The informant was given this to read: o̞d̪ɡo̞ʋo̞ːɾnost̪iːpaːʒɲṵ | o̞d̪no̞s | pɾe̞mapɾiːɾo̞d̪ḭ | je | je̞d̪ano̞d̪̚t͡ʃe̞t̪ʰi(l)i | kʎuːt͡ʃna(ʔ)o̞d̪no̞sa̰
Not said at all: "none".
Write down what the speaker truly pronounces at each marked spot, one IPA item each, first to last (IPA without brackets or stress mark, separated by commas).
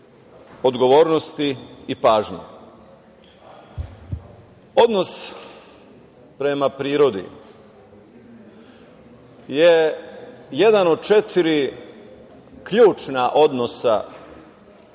ɾ, ʔ